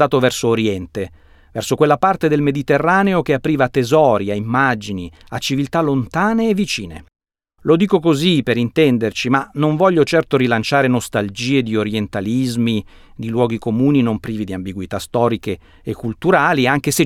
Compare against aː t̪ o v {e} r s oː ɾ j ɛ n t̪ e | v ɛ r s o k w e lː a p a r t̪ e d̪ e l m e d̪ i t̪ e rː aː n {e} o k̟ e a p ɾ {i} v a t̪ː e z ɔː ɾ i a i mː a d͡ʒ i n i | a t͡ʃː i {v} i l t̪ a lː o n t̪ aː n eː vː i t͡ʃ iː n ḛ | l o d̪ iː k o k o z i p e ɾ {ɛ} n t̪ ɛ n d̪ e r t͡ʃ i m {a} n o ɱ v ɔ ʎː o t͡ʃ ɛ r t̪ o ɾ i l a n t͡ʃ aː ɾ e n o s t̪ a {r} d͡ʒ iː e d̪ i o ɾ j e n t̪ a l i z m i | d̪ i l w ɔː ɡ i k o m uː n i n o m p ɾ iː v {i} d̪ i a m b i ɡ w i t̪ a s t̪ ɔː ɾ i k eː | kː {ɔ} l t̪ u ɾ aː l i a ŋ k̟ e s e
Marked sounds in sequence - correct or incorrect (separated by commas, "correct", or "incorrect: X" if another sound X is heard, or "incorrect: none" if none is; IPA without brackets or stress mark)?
incorrect: ɛ, correct, incorrect: iː, correct, incorrect: i, correct, incorrect: l, correct, incorrect: u